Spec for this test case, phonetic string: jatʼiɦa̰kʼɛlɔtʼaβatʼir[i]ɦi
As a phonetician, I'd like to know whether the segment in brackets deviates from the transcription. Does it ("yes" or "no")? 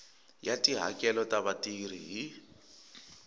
no